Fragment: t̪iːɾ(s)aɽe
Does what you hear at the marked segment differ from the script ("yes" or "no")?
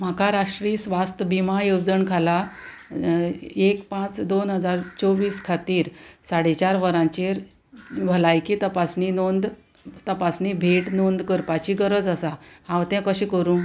no